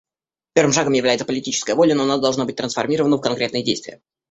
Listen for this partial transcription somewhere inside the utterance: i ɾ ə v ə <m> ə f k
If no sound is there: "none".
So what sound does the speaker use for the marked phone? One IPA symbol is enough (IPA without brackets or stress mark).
n